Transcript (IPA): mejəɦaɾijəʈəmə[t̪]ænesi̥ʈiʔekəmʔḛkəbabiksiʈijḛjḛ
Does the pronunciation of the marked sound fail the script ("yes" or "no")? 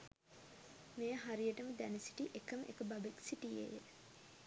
yes